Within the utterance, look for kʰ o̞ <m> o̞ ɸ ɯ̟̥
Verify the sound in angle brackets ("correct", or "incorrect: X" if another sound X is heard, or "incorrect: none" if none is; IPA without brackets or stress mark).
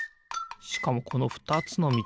incorrect: n